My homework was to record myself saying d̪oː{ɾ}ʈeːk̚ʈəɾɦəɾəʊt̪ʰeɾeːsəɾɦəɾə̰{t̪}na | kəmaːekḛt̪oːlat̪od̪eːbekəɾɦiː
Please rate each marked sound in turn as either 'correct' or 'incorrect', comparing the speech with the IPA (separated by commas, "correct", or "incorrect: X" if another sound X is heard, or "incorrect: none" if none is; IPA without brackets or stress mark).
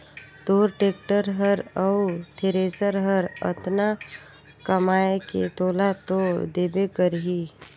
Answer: correct, correct